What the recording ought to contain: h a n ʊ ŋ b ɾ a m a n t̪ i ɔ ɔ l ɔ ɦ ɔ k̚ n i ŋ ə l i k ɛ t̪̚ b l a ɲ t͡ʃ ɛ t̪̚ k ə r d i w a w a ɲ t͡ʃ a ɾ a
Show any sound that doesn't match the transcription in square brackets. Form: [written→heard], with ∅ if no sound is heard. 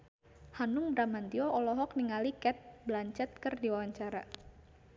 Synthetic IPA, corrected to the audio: h a n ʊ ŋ b ɾ a m a n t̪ i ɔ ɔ l ɔ ɦ ɔ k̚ n i ŋ [ə→a] l i k ɛ t̪̚ b l a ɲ t͡ʃ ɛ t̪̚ k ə r d i w a w a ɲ t͡ʃ a ɾ a